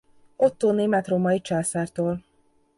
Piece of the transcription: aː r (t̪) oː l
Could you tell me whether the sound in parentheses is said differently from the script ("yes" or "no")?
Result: no